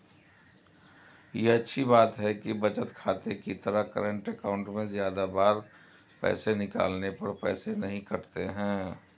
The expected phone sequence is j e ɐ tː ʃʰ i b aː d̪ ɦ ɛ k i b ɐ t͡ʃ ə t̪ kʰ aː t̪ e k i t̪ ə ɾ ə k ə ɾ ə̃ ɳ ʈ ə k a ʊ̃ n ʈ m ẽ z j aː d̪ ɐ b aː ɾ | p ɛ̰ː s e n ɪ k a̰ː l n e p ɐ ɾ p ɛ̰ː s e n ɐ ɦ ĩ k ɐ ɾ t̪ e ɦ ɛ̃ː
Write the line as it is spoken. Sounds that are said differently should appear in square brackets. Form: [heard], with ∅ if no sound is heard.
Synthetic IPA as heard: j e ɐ tː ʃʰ i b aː [t̪] ɦ ɛ k i b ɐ t͡ʃ ə t̪ kʰ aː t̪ e k i t̪ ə ɾ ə k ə ɾ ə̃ ɳ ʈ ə k a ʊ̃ [ɳ] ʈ m ẽ z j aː d̪ [a] b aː ɾ | p ɛ̰ː s e n ɪ k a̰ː l n e p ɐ ɾ p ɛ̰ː s e n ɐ ɦ ĩ k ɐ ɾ t̪ e ɦ ɛ̃ː